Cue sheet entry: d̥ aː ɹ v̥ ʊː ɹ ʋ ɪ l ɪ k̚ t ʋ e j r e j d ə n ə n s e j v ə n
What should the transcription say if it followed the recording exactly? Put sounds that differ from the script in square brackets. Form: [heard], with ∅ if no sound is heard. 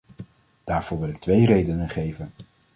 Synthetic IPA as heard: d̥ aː ɹ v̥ ʊː ɹ ʋ ɪ l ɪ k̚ t ʋ e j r e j d ə n ə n [χ] e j v ə n